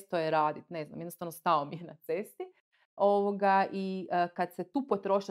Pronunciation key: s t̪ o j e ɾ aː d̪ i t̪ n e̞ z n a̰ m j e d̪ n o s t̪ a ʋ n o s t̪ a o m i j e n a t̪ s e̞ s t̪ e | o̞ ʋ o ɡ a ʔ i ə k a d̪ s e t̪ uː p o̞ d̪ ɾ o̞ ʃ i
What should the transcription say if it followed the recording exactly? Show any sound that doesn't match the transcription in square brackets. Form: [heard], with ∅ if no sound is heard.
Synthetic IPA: s t̪ o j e ɾ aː d̪ i t̪ n e̞ z n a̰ m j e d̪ n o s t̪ a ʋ n o s t̪ a o m i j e n a t̪ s e̞ s t̪ [i] | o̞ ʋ o ɡ a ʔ i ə k a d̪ s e t̪ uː p o̞ [t̪] ɾ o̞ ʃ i